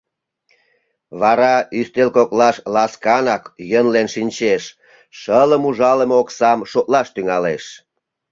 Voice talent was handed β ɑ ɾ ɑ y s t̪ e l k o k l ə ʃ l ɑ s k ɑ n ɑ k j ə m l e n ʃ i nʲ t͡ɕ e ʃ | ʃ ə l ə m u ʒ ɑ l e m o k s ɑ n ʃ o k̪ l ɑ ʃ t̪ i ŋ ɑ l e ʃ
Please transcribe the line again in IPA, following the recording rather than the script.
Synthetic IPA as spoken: β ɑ ɾ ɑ y s t̪ e l k o k l ɑ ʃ l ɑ s k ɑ n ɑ k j ə n l e n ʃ i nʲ t͡ɕ e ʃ | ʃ ə l ə m u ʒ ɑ l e m o k s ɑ m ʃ o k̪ l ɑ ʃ t̪ y ŋ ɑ l e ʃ